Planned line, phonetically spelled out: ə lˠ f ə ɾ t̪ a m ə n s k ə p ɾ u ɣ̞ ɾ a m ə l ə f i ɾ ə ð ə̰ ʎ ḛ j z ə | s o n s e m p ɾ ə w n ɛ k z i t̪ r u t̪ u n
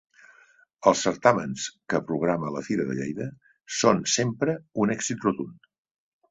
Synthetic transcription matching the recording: ə lˠ s ə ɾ t̪ a m ə n s k ə p ɾ u ɣ̞ ɾ a m ə l ə f i ɾ ə ð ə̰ ʎ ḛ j ð ə | s o n s e m p ɾ ə u n ɛ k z i t̪ r u t̪ u n